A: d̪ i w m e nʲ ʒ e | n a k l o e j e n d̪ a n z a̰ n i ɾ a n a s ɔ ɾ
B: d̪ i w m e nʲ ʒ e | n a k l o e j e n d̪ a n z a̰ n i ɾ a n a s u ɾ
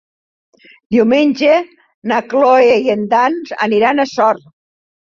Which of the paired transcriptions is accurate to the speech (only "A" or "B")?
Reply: A